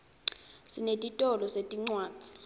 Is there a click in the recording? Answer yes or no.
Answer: yes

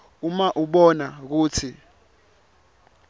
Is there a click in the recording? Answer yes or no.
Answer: no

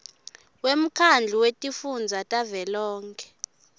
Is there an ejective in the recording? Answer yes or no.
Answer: yes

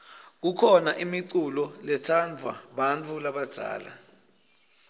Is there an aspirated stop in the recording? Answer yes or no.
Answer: yes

